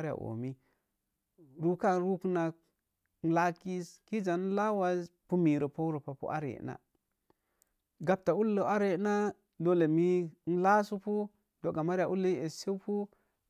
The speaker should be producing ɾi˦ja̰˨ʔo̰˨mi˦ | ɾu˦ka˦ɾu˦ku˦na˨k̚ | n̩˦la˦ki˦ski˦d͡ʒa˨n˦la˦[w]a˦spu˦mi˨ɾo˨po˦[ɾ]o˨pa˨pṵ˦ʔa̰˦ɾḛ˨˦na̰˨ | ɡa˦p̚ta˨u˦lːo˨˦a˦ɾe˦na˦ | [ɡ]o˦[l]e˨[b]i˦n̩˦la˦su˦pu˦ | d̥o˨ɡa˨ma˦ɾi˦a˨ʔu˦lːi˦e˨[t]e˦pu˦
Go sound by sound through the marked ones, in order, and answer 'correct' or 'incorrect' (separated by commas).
correct, correct, incorrect, correct, incorrect, incorrect